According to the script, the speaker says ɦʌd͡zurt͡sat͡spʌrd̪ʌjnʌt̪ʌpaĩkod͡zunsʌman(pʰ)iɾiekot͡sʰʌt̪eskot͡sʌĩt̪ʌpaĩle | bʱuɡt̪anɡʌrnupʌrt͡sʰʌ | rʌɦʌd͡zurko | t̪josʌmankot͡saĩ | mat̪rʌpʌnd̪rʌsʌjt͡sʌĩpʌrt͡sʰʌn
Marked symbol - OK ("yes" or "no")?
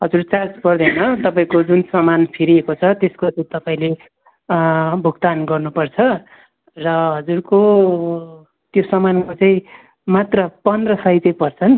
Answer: yes